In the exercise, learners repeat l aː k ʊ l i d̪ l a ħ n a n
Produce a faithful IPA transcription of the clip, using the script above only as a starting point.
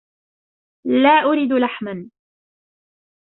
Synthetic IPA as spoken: l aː ʔ ʊ ɾ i d̪ l a ħ m a n